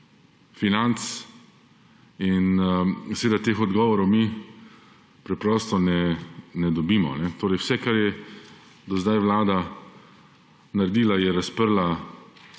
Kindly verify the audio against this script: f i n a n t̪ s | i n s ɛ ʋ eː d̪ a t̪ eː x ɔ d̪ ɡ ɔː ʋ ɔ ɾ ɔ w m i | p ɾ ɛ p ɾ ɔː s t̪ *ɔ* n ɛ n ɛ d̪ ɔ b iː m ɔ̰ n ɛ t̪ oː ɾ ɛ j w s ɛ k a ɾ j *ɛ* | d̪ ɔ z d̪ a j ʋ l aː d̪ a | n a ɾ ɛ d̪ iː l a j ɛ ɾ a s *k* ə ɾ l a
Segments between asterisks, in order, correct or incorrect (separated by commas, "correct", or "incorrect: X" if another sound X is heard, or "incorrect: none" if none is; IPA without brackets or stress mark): correct, correct, incorrect: p